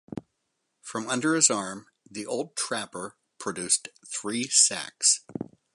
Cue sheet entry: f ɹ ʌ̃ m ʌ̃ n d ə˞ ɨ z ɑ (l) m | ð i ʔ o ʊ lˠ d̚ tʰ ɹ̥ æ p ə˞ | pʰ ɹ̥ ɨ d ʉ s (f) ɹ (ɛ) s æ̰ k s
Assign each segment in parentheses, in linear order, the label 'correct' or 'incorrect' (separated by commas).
incorrect, incorrect, incorrect